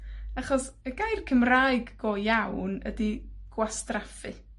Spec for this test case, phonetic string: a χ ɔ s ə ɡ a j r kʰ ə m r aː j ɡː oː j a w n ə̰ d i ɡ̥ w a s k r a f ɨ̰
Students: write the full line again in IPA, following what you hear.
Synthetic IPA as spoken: a χ ɔ s ə ɡ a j r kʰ ə m r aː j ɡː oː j a w n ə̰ d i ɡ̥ w a s t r a f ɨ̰